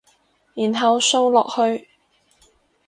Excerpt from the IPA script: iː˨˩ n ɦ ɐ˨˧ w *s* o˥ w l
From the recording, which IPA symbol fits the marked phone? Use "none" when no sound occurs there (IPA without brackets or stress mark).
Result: s